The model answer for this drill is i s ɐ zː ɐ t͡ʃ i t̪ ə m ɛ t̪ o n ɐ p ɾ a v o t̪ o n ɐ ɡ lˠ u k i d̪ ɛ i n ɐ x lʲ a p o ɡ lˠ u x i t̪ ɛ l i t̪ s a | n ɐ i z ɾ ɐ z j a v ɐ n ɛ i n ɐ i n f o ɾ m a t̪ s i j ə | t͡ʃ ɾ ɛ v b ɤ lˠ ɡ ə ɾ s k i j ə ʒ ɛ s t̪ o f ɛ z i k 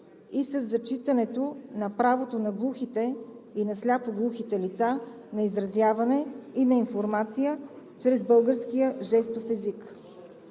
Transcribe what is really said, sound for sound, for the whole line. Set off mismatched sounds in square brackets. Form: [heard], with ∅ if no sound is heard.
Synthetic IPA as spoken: i s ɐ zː ɐ t͡ʃ i t̪ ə [n] ɛ t̪ o n ɐ p ɾ a v o t̪ o n ɐ ɡ lˠ u [x] i [t̪] ɛ i n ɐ [s] lʲ a p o ɡ lˠ u x i t̪ ɛ l i t̪ s a | n ɐ i z ɾ ɐ z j a v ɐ n ɛ i n ɐ i n f o ɾ m a t̪ s i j ə | t͡ʃ ɾ ɛ [z] b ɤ lˠ ɡ ə ɾ s k i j ə ʒ ɛ s t̪ o f ɛ z i k